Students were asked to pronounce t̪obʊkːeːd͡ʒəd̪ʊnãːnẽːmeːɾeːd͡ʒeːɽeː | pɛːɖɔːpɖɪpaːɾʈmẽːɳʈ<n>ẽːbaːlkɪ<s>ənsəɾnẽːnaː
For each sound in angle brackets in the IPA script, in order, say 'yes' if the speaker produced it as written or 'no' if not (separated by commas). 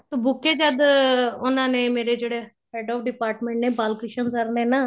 yes, no